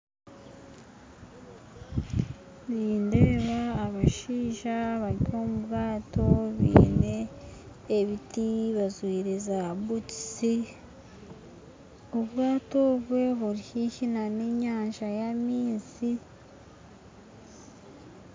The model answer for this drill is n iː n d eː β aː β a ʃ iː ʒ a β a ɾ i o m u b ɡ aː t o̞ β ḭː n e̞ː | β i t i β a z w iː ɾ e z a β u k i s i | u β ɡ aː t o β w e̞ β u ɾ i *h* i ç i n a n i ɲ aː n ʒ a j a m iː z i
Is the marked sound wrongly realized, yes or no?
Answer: no